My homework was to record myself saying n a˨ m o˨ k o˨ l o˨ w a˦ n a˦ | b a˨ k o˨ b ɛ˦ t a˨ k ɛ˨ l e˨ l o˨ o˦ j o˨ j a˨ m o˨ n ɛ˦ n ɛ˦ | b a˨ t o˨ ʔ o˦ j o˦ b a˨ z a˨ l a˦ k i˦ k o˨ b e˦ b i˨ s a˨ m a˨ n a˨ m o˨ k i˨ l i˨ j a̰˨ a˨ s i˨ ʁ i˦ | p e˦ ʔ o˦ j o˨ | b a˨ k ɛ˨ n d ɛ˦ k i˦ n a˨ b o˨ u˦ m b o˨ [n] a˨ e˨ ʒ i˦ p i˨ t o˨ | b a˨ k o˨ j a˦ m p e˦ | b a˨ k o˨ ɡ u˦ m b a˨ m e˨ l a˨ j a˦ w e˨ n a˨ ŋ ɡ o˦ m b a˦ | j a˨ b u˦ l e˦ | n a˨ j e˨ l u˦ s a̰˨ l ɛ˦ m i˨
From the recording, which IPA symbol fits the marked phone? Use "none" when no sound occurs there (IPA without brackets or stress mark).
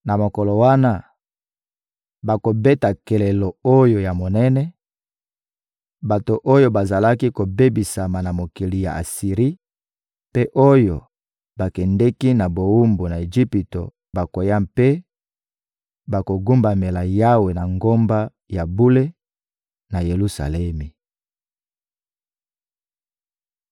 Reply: n